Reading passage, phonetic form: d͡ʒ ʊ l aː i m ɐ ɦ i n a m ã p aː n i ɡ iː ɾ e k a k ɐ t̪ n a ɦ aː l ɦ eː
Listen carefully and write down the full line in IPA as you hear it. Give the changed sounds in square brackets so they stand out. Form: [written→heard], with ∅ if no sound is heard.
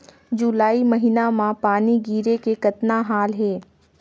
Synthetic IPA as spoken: d͡ʒ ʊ l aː i m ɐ ɦ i n a m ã p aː n i ɡ iː ɾ e k [a→e] k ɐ t̪ n a ɦ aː l ɦ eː